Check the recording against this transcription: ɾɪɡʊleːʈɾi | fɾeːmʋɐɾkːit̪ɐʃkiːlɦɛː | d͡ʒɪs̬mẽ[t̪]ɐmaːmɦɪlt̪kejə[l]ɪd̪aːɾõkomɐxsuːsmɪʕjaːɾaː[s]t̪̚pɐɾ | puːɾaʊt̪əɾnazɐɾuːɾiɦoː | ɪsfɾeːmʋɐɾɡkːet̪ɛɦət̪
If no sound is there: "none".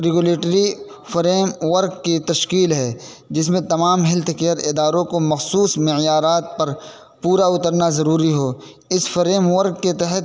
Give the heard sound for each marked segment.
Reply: t̪, ɾ, none

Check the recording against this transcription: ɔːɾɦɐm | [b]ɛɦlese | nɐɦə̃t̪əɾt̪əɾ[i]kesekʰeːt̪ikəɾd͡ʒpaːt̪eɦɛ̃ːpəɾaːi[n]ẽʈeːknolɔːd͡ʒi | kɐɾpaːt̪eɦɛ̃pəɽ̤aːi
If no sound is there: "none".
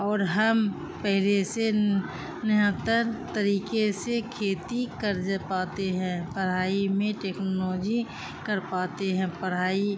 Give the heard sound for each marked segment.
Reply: p, iː, m

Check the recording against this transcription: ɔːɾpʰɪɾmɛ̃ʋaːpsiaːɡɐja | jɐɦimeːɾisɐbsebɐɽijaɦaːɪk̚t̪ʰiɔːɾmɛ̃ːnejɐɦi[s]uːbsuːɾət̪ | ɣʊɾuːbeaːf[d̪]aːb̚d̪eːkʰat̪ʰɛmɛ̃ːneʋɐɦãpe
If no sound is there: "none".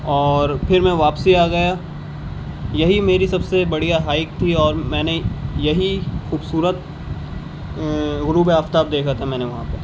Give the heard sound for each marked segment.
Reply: x, t̪

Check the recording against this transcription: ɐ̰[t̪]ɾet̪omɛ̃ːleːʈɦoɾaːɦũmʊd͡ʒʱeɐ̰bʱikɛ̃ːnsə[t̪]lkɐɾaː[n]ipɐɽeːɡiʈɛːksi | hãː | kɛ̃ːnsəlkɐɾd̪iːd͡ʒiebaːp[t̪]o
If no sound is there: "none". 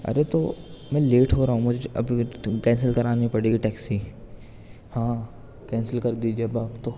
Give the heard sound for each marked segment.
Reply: none, none, n, t̪

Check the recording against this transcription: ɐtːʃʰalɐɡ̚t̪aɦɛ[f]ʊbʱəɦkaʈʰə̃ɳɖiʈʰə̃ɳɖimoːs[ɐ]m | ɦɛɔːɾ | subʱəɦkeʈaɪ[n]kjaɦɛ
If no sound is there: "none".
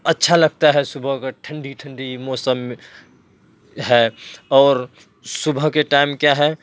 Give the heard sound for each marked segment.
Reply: s, ə, m

